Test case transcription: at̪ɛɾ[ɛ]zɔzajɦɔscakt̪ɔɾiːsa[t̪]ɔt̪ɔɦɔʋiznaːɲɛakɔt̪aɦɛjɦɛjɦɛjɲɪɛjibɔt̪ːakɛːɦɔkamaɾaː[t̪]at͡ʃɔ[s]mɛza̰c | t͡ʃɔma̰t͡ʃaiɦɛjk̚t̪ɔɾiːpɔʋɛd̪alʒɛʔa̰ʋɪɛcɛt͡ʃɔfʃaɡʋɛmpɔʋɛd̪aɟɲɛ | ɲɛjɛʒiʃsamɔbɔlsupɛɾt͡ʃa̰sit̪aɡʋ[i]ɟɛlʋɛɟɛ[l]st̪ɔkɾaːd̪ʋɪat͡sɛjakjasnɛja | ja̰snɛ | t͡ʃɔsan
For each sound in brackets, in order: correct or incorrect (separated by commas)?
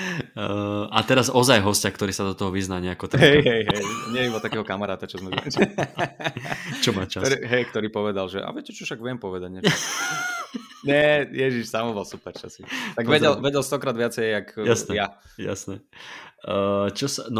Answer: incorrect, incorrect, correct, incorrect, incorrect, correct